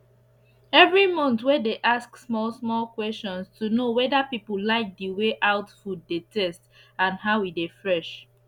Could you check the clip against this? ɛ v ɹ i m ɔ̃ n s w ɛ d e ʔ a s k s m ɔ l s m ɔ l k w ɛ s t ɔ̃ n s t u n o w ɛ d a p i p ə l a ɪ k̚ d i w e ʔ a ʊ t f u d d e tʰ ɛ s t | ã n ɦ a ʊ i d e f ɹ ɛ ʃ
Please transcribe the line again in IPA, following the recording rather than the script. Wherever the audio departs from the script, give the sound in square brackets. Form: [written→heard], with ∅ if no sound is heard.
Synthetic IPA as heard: ɛ v ɹ i m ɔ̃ n [s→t] w ɛ d e ʔ a s k s m ɔ l s m ɔ l k w ɛ s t ɔ̃ n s t u n o w ɛ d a p i p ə l a ɪ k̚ d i w e ʔ a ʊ t f u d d e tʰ ɛ s t | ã n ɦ a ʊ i d e f ɹ ɛ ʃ